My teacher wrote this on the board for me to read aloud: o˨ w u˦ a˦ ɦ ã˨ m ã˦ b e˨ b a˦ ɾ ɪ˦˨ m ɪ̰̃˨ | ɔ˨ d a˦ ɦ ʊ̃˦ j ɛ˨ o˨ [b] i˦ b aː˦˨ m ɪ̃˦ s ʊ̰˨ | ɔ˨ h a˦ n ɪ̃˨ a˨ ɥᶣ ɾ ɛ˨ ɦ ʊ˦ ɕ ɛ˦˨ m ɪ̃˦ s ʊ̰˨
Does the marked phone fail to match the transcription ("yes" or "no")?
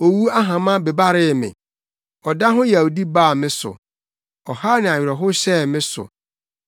yes